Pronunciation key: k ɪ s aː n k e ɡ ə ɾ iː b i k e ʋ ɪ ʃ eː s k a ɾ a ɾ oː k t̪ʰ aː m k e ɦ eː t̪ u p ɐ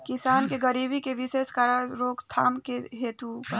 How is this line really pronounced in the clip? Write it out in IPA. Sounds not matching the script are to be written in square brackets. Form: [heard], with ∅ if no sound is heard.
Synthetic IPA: k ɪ s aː n k e ɡ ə ɾ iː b i k e ʋ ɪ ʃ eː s k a ɾ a ɾ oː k t̪ʰ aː m k e ɦ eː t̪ u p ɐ